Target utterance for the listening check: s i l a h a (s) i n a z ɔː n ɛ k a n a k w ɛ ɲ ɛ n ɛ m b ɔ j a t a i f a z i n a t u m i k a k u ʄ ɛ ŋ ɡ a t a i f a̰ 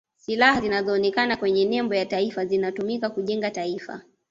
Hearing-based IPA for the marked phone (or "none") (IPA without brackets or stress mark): z